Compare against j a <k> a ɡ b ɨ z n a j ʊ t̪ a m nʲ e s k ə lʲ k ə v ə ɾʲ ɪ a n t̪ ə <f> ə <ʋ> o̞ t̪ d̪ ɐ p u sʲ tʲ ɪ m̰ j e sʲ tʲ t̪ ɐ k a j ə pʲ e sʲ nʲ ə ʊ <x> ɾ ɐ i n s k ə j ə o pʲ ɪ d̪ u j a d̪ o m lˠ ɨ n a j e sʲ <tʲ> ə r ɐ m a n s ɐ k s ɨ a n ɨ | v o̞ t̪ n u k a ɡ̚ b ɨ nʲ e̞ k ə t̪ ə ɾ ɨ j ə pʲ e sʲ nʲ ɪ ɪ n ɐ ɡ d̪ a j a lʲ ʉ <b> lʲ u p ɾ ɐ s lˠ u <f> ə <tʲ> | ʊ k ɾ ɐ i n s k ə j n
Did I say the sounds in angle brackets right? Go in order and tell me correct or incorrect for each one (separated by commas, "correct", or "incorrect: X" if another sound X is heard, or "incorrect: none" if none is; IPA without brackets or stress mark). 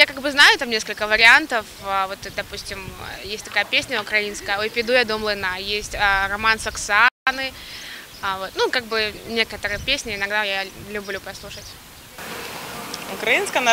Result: correct, correct, incorrect: v, incorrect: k, correct, correct, incorrect: ʂ, correct